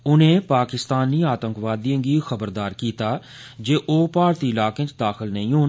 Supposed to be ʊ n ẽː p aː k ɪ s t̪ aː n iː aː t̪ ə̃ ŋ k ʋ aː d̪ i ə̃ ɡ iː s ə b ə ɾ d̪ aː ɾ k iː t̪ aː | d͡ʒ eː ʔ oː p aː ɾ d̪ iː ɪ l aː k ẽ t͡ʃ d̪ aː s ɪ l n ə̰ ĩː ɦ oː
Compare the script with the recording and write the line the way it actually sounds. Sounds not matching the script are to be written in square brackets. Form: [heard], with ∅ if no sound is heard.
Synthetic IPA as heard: ʊ n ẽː p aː k ɪ s t̪ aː n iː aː t̪ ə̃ ŋ k ʋ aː d̪ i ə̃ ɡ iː [x] ə b ə ɾ d̪ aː ɾ k iː t̪ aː | d͡ʒ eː ʔ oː p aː ɾ [t̪] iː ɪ l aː k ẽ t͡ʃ d̪ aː [x] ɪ l n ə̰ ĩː ɦ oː

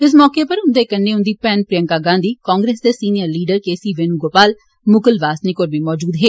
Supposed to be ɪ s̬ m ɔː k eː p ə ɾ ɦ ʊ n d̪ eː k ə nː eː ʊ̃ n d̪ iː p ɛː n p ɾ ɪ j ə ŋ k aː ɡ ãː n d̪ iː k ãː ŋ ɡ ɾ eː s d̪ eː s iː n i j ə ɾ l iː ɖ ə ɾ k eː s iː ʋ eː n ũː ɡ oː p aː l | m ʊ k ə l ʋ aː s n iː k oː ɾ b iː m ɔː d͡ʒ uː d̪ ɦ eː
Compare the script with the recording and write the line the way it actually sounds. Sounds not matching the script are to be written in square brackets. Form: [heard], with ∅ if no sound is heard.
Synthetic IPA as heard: ɪ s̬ m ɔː k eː p ə ɾ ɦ ʊ n d̪ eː k ə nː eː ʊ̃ n d̪ iː p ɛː n p ɾ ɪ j ə ŋ k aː ɡ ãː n d̪ iː k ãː ŋ ɡ ɾ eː s d̪ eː s iː n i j ə ɾ l iː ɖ ə ɾ k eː s iː ʋ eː n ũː ɡ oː p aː l | m ʊ k ə l ʋ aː s n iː k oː ɾ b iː m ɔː d͡ʒ uː d̪ ɦ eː

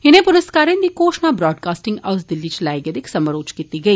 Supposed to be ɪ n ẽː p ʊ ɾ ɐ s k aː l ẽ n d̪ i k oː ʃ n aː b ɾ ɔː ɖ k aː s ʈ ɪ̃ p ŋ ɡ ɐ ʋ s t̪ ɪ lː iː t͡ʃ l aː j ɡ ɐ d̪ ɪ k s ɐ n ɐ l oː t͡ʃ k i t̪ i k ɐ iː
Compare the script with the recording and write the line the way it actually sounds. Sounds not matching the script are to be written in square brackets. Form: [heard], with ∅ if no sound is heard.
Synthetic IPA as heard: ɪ n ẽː p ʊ ɾ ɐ s k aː [ɾ] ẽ n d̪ i k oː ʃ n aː b ɾ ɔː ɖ k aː s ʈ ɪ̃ [∅] ŋ ɡ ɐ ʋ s [d̪] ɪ lː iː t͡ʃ l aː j ɡ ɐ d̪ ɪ k s ɐ [m] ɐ [ɾ] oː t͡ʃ k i t̪ i [ɡ] ɐ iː

